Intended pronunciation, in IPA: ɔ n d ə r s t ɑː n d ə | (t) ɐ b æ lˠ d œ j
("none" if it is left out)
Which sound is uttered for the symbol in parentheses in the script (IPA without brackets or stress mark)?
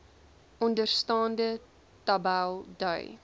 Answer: t